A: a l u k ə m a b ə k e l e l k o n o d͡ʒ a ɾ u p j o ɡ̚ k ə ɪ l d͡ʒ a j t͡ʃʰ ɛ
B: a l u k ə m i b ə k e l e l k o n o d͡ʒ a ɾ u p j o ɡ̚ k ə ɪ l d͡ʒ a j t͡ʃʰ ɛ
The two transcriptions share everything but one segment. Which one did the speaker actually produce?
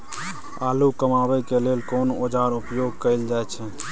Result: A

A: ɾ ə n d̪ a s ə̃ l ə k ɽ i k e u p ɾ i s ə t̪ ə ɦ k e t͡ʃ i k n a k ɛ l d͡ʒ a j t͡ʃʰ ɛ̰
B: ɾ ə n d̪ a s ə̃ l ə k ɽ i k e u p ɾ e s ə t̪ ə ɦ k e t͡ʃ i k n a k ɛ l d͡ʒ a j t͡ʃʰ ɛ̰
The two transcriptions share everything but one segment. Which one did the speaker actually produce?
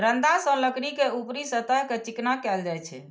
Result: A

